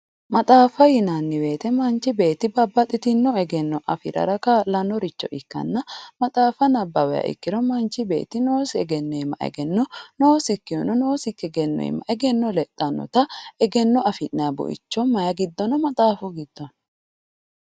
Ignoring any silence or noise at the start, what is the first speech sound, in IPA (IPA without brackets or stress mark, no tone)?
m